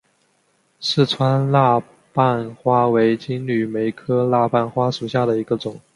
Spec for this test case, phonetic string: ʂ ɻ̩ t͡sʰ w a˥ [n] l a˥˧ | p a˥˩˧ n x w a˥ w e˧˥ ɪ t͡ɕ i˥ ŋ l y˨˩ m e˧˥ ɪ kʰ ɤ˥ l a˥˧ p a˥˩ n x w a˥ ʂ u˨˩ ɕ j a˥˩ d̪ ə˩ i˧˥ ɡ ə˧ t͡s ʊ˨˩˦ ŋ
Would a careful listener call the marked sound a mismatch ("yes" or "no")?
no